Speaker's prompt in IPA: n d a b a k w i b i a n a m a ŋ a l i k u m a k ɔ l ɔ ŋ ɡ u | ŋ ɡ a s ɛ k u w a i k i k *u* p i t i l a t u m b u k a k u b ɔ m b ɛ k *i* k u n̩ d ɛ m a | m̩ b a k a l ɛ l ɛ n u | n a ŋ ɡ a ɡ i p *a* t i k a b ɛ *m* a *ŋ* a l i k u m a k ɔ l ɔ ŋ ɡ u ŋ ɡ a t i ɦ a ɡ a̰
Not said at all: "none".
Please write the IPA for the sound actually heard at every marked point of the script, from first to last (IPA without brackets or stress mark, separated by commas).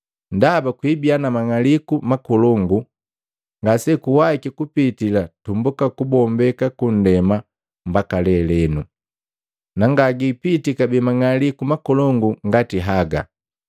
u, a, i, m, ŋ